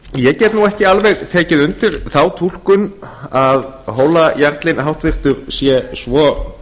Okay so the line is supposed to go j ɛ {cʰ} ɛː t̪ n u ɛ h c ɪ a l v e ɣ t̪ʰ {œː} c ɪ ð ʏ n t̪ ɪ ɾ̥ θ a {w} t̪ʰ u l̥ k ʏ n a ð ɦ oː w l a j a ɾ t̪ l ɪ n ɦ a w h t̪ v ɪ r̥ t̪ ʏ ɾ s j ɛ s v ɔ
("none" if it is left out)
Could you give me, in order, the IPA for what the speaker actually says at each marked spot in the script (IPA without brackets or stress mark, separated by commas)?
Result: c, ɛː, w